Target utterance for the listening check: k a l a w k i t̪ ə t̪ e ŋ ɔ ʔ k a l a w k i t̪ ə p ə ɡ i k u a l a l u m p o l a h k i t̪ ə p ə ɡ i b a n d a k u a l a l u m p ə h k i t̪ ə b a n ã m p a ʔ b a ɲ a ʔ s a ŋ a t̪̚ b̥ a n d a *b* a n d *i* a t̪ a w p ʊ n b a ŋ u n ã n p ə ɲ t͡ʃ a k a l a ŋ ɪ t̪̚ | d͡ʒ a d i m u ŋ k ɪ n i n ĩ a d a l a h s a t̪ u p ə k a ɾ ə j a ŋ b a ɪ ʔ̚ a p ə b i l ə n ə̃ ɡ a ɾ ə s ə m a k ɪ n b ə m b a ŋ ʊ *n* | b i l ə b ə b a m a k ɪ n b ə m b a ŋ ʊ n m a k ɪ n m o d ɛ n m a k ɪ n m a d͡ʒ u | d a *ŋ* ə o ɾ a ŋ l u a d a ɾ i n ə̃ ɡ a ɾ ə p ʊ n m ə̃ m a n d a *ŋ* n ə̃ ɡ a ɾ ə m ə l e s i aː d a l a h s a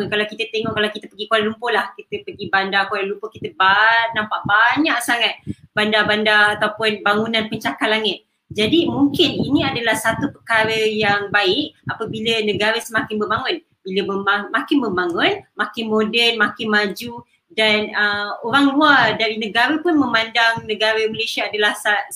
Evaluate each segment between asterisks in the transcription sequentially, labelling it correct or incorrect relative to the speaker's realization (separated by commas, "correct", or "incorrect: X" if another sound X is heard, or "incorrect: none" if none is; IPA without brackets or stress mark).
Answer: correct, incorrect: a, correct, incorrect: n, correct